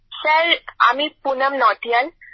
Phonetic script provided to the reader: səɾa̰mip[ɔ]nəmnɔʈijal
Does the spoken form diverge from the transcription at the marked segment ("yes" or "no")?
yes